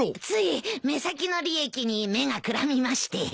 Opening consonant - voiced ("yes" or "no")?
no